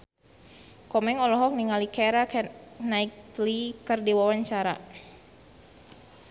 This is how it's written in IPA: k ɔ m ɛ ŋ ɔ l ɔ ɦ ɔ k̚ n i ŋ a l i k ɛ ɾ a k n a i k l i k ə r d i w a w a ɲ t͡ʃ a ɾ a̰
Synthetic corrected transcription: k ɔ m ɛ ŋ ɔ l ɔ ɦ ɔ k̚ n i ŋ a l i k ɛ ɾ a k n a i k l i k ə r d i w a w a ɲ t͡ʃ a ɾ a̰